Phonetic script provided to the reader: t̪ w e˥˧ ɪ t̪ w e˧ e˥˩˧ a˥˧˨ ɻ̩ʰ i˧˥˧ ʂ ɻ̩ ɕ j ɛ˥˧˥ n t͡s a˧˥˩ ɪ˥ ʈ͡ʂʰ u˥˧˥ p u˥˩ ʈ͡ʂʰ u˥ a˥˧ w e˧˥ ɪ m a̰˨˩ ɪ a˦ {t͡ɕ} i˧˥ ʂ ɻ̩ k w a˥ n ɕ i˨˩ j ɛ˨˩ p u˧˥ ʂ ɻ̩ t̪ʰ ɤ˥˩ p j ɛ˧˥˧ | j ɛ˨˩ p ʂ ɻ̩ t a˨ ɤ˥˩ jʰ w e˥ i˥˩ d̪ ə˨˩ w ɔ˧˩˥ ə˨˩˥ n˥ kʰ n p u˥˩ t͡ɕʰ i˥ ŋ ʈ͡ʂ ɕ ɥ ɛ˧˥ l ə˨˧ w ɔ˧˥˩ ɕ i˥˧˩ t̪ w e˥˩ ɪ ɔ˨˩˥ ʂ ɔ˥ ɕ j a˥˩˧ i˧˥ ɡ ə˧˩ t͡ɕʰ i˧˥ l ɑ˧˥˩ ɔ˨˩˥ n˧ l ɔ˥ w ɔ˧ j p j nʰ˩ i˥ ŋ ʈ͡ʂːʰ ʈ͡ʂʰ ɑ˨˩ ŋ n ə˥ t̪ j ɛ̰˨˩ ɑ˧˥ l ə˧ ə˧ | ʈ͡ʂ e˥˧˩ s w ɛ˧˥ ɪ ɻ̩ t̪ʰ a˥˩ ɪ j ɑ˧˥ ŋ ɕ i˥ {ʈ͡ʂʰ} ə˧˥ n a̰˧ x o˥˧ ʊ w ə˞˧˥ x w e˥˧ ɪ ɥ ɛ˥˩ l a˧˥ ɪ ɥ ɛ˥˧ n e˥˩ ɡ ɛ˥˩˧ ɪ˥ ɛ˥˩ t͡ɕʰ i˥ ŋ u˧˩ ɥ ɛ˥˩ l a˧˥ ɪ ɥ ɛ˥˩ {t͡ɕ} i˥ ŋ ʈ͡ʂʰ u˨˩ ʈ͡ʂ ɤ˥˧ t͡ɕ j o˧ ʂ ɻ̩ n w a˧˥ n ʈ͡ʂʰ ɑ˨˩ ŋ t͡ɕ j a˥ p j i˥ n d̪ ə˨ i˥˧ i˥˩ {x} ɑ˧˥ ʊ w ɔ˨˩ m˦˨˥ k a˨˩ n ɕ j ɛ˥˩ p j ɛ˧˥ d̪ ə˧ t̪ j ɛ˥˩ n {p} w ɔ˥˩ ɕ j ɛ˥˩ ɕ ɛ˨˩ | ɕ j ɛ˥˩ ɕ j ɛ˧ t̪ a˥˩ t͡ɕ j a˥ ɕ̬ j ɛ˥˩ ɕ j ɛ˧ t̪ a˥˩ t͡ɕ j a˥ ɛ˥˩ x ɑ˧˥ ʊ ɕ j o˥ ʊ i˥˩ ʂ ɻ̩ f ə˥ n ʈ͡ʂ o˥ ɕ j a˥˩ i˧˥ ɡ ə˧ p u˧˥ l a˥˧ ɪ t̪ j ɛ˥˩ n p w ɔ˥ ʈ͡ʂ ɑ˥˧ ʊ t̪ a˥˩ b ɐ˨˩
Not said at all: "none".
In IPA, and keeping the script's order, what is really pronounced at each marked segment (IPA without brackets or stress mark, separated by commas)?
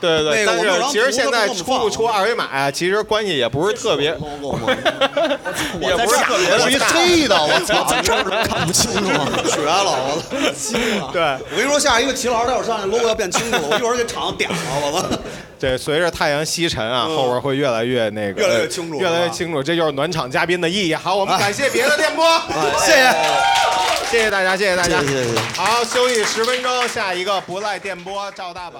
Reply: t͡ɕʰ, ʈ͡ʂʰ, t͡ɕʰ, x, p